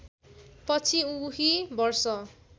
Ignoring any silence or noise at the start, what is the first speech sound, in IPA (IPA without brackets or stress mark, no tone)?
p